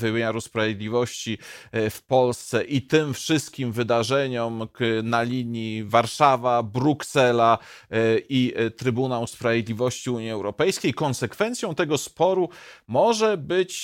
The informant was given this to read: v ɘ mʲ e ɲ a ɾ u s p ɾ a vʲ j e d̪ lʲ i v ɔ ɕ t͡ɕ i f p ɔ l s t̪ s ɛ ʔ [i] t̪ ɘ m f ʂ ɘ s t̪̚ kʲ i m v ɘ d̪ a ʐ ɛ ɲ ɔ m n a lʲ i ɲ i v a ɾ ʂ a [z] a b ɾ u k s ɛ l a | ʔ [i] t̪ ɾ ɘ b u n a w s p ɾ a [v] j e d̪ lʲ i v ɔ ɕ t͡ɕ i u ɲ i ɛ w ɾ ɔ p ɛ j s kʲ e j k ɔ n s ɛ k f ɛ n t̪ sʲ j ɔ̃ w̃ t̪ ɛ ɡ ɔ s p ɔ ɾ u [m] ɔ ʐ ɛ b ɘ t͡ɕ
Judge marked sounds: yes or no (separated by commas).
yes, no, yes, yes, yes